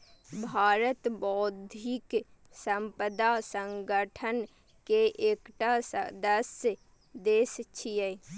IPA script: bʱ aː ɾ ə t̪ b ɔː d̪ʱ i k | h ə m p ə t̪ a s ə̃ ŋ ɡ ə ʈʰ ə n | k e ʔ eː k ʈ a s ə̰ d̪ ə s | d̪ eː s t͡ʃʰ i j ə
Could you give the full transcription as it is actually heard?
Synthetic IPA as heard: bʱ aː ɾ ə t̪ b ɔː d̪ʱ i k | s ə m p ə d̪ a s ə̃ ŋ ɡ ə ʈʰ ə n | k e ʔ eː k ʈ a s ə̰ d̪ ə s | d̪ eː s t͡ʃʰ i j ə